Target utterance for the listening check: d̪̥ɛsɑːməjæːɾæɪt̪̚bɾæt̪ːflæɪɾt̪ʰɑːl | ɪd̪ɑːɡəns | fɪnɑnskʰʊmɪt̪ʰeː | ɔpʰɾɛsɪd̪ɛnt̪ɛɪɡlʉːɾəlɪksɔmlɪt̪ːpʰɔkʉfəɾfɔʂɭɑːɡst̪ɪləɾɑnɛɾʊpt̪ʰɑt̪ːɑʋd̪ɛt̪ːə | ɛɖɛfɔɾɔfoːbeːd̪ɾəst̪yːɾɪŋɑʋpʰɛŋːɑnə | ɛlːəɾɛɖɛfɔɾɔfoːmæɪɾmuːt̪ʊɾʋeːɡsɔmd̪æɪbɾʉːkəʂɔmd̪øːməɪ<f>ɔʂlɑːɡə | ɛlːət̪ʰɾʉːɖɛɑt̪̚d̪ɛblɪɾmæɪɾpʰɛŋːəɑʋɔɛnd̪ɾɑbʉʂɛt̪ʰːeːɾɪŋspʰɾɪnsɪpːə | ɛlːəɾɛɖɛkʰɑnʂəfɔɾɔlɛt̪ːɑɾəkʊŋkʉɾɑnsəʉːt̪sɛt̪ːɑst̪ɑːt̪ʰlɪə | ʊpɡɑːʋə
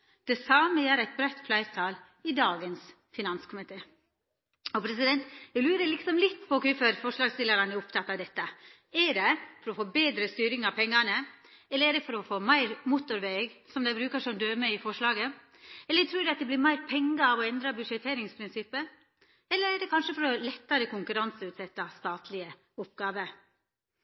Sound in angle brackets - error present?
no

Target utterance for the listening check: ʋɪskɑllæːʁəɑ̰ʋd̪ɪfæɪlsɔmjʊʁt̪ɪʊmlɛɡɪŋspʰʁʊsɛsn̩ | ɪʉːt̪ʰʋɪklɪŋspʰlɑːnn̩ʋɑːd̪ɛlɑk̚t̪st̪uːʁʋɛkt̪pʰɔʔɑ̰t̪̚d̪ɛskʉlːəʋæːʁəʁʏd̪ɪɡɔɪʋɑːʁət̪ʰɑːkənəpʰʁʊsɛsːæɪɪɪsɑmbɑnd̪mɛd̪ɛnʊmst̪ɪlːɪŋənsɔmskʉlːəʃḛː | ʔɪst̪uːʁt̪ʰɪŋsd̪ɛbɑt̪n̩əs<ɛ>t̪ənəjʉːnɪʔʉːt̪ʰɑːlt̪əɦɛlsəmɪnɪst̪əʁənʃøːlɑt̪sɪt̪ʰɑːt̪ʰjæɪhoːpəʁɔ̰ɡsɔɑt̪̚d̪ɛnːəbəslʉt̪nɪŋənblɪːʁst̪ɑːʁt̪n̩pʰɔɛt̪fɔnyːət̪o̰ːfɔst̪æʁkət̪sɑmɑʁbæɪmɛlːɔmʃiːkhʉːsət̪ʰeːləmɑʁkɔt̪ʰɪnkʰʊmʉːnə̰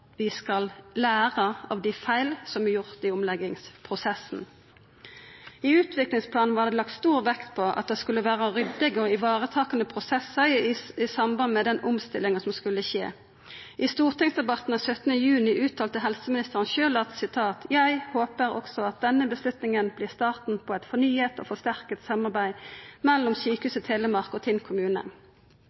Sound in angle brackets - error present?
yes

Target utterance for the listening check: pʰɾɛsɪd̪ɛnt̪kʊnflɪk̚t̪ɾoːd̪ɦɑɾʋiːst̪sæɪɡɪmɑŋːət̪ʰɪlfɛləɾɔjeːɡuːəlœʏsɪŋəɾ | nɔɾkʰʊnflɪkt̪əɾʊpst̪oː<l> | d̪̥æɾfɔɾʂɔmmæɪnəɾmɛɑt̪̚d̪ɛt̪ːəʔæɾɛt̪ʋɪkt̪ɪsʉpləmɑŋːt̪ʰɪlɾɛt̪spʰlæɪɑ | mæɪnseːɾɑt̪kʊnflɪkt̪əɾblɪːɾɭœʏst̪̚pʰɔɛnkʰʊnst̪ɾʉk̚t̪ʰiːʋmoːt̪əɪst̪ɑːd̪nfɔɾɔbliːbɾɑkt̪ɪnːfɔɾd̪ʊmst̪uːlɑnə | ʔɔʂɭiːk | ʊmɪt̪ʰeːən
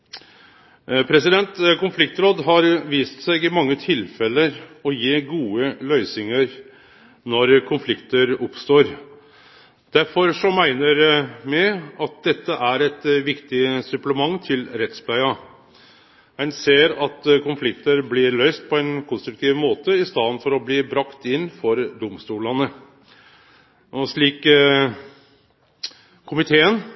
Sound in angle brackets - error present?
yes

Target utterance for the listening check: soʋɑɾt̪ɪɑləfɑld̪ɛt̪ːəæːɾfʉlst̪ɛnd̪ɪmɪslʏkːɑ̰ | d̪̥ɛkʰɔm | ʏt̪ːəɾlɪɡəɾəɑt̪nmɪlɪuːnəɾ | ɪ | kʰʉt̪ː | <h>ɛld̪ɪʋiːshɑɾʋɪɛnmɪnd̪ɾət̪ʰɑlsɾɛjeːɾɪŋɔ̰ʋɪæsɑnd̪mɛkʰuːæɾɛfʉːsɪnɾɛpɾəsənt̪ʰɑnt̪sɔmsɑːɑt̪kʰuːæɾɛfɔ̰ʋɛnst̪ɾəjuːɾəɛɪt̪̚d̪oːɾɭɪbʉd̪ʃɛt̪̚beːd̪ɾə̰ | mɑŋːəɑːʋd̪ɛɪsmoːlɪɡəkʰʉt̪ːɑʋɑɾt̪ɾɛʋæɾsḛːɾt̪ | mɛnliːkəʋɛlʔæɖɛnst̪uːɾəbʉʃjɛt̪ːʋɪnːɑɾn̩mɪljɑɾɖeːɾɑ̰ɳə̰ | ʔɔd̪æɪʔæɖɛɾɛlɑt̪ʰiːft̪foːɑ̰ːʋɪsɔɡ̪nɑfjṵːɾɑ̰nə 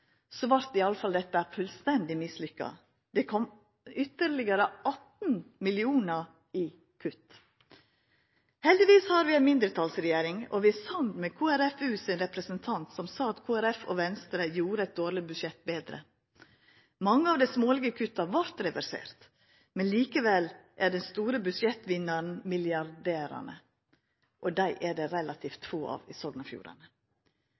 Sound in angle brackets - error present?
no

